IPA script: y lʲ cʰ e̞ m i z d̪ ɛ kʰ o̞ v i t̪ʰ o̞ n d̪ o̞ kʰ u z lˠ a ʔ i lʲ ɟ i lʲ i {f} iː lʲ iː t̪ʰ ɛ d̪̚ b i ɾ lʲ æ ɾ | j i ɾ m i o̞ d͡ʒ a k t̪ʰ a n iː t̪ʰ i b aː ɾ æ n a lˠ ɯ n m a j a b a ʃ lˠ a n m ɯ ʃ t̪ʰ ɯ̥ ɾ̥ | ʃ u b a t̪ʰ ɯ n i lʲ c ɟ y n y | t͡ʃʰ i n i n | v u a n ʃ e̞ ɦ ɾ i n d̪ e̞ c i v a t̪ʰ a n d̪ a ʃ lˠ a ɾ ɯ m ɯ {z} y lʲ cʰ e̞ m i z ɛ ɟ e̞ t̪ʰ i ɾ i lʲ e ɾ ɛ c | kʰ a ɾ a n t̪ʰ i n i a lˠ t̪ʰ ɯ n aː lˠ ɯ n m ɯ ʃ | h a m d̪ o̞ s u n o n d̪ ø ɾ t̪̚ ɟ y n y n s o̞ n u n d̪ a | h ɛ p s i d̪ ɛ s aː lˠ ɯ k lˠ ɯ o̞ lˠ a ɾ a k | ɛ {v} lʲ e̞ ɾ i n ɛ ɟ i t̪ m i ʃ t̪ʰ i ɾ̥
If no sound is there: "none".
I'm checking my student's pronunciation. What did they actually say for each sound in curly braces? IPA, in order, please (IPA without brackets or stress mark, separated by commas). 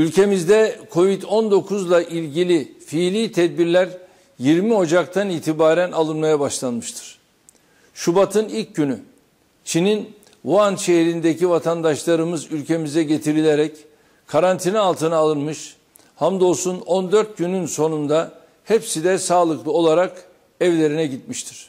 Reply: f, z, v